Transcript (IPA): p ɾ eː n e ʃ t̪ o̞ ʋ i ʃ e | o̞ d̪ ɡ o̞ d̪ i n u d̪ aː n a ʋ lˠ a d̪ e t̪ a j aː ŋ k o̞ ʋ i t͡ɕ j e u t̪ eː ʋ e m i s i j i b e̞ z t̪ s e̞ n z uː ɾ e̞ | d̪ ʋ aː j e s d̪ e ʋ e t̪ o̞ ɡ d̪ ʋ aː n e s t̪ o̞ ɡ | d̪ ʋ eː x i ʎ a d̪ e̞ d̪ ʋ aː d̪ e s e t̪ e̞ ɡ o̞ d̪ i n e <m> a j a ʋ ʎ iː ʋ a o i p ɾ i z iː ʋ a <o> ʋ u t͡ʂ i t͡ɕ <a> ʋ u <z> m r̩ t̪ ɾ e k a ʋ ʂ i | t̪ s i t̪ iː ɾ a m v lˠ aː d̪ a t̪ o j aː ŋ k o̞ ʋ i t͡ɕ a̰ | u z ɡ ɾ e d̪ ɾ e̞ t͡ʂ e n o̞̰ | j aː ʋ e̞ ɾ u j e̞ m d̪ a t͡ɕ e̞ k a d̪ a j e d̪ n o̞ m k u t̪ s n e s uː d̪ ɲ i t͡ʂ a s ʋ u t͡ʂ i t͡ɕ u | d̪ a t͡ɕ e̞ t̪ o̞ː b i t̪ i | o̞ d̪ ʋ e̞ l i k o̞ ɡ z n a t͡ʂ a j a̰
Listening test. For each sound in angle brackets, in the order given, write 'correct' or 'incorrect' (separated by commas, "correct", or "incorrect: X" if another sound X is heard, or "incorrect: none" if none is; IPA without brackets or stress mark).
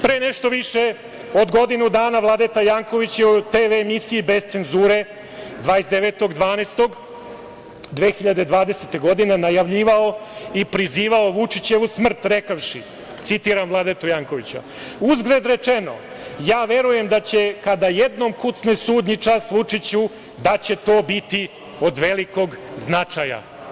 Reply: incorrect: n, correct, incorrect: e, incorrect: s